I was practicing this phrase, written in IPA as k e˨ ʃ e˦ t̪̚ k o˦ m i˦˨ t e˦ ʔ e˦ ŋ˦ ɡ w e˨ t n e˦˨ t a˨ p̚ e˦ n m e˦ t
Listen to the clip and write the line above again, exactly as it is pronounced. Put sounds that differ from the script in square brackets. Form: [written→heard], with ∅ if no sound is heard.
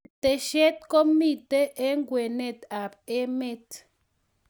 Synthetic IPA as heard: [k→t] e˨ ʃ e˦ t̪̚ k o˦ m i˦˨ t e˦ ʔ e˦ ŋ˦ ɡ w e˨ [t→∅] n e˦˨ t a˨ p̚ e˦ [n→∅] m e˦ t